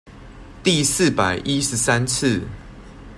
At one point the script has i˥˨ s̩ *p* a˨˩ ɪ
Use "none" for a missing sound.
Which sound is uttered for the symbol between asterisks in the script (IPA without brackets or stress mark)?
p